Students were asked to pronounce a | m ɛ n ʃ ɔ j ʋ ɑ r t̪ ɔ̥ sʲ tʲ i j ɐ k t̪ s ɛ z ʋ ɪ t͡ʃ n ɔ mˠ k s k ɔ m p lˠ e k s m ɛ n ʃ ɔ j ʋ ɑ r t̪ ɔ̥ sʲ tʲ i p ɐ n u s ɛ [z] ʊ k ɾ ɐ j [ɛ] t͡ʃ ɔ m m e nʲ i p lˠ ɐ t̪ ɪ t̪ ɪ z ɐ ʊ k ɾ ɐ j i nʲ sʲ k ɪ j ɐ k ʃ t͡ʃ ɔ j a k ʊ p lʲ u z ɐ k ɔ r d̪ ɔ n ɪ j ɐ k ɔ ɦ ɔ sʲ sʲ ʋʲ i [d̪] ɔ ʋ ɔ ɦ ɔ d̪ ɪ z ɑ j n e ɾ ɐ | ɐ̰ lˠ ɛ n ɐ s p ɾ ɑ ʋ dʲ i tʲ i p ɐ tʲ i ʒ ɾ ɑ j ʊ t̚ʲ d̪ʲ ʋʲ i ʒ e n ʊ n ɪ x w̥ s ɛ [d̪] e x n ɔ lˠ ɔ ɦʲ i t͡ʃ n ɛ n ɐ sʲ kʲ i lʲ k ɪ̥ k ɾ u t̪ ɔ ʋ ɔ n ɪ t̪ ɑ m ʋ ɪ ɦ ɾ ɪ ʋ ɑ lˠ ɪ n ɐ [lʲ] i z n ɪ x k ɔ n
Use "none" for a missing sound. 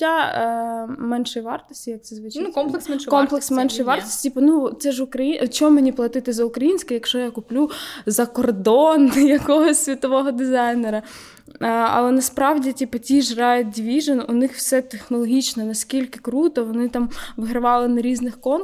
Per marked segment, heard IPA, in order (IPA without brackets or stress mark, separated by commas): ʒ, i, t̪, t̪, ɾʲ